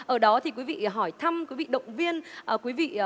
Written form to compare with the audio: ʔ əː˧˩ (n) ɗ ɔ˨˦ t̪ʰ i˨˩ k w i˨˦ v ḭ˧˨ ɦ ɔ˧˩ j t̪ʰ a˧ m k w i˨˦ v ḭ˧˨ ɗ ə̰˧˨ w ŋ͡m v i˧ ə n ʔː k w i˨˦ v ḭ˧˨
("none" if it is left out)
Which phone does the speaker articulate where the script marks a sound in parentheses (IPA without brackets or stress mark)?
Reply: none